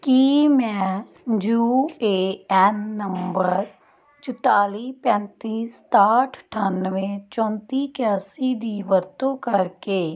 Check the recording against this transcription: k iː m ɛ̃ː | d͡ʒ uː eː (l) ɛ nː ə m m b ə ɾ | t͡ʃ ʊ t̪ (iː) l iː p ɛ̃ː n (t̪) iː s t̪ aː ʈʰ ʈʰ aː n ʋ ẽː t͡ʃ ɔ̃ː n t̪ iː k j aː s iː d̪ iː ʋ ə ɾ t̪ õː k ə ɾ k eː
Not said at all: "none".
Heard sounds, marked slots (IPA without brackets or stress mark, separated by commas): none, aː, t̪